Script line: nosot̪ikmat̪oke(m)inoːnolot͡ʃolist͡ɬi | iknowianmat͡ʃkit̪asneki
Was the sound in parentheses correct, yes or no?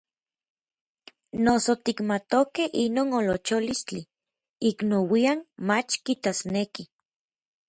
no